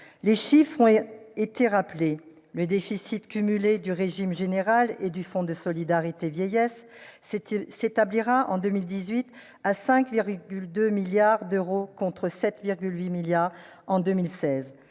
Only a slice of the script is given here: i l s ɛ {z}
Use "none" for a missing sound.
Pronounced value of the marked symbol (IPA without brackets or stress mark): z